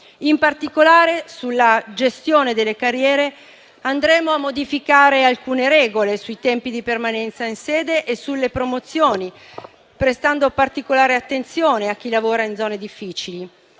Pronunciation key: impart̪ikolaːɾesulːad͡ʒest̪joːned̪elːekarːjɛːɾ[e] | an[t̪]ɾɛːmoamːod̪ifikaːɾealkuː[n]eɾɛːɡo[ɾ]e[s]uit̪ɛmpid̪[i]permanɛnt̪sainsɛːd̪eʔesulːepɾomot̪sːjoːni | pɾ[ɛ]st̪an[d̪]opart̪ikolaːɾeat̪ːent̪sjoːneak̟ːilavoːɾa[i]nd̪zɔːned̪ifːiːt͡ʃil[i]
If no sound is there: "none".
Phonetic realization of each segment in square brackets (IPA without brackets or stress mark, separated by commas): e, d̪, n, l, s, i, e, d̪, i, i